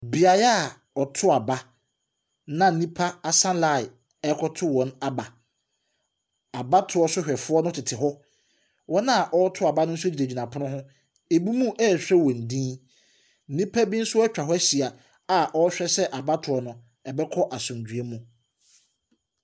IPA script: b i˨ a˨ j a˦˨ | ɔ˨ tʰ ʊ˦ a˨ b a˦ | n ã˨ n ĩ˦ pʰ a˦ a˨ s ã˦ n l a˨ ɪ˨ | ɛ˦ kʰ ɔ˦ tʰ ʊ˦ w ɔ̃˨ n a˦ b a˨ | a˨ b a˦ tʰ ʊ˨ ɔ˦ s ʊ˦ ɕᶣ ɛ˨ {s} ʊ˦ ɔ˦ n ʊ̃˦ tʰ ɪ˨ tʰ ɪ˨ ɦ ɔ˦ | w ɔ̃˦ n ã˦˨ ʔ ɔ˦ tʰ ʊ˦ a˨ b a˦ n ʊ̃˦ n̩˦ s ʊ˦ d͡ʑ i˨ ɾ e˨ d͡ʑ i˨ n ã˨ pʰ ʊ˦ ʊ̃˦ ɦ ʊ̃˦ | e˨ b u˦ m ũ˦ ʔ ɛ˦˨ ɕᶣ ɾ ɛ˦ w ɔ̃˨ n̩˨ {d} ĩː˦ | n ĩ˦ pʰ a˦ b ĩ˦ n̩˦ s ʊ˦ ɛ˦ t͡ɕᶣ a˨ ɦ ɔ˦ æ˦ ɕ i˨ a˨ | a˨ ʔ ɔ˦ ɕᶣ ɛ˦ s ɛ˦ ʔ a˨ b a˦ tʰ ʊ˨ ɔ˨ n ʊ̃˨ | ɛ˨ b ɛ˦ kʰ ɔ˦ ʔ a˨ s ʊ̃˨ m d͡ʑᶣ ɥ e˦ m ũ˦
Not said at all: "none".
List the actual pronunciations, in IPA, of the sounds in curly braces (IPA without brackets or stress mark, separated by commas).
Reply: f, d